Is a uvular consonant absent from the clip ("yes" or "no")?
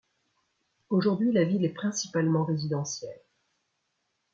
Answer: no